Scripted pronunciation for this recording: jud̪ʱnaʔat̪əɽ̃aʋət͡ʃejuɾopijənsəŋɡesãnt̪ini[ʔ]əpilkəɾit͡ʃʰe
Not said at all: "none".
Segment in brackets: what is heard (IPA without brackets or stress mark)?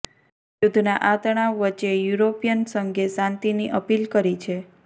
ʔ